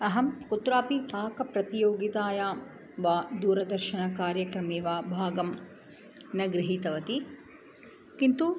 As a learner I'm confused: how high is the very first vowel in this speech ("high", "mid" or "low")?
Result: low